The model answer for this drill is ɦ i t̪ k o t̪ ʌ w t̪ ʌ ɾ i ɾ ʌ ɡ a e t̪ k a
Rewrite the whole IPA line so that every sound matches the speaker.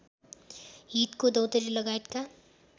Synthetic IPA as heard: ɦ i t̪ k o d̪ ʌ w t̪ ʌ ɾ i l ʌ ɡ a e t̪ k a